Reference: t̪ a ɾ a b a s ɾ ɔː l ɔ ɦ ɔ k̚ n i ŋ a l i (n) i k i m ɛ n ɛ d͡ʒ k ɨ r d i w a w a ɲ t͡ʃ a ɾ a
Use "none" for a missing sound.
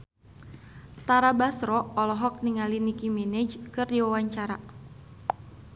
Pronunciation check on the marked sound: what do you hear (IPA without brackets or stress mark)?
n